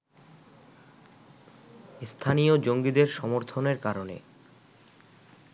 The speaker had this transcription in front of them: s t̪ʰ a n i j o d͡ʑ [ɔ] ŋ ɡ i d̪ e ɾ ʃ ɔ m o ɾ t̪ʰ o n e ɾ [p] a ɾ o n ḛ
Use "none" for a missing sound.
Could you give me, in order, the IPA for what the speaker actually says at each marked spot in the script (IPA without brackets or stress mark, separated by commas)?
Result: o, k